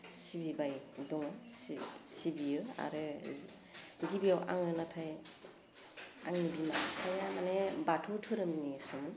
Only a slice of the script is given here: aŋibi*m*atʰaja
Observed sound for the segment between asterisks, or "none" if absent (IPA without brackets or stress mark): m